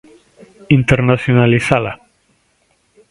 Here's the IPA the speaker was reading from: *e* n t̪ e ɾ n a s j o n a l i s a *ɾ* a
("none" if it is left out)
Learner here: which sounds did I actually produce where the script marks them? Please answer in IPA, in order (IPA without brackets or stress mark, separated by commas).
i, l